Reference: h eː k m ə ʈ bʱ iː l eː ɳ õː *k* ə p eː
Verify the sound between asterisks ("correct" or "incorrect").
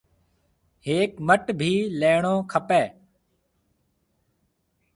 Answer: incorrect